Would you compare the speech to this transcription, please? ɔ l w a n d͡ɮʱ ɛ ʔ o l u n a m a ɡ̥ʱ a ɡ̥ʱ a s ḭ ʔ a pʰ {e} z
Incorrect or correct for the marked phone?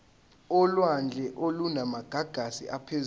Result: correct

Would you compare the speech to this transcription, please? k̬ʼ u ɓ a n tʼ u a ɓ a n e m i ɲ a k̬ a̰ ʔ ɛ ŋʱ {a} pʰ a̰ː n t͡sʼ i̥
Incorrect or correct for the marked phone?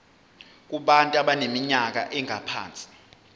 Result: correct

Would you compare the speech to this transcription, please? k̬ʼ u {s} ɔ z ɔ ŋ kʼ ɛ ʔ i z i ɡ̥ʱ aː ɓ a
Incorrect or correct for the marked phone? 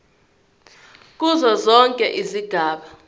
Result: incorrect: z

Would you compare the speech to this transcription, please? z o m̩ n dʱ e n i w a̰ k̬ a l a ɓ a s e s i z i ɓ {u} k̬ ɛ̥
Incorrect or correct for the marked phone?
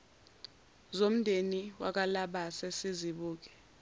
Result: incorrect: uː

